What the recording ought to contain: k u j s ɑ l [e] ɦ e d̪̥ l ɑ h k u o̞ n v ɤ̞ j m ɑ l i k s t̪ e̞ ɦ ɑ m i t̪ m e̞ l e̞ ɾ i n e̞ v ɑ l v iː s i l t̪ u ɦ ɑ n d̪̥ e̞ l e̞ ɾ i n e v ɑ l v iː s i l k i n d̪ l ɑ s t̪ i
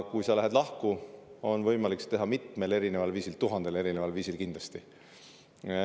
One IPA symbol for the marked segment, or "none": æ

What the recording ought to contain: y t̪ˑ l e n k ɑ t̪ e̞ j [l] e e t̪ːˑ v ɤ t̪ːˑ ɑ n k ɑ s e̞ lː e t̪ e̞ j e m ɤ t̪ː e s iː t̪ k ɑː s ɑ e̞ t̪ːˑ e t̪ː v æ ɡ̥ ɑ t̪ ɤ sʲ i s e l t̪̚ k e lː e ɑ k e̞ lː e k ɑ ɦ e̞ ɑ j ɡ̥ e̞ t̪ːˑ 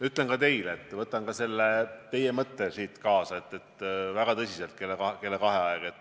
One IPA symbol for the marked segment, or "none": l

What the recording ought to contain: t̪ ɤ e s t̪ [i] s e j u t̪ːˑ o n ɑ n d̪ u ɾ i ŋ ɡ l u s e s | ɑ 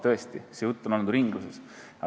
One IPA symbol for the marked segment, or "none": i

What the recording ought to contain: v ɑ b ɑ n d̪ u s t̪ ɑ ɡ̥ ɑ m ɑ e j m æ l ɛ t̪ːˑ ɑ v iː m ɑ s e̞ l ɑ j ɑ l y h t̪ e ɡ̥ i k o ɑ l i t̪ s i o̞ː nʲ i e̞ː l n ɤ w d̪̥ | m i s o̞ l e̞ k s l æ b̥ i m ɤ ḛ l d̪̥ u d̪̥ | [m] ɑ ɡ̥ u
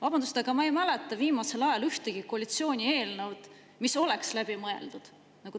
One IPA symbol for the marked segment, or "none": n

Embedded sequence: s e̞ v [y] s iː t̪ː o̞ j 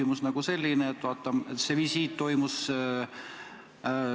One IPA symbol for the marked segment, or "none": i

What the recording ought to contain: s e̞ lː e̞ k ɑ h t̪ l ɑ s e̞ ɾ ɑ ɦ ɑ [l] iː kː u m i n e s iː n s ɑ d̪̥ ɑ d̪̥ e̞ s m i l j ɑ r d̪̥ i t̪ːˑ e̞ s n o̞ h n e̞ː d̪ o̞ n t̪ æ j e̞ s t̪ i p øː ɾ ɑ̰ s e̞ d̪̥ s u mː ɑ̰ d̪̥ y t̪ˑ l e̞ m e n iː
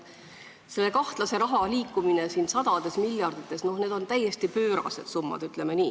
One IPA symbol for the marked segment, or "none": l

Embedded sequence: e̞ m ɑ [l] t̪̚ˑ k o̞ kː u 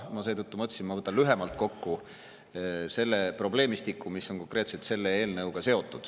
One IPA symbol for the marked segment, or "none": l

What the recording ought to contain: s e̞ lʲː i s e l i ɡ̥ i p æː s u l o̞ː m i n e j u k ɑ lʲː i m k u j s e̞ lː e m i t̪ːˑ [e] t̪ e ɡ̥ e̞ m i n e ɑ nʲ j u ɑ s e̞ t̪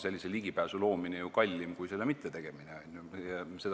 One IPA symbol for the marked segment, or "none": e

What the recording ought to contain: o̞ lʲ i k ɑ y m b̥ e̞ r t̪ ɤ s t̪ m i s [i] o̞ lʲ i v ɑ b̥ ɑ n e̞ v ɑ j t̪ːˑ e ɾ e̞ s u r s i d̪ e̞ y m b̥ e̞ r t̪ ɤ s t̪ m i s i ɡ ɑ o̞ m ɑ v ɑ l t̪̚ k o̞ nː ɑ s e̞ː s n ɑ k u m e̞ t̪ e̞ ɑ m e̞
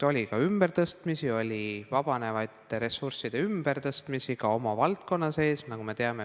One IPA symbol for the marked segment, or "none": i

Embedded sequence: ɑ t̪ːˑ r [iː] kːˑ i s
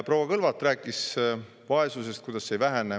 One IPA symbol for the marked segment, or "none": æː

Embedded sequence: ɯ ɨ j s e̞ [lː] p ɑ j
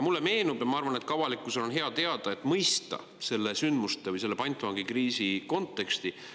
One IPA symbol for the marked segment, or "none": lː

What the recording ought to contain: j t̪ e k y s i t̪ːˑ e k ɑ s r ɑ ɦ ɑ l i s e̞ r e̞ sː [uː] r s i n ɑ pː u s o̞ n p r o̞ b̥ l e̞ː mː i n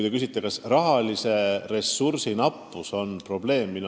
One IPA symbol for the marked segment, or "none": u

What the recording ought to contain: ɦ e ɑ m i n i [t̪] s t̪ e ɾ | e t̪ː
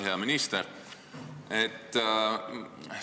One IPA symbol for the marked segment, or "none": none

